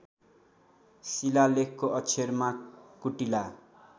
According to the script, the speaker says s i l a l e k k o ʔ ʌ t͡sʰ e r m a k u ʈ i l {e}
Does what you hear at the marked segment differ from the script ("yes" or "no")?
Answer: yes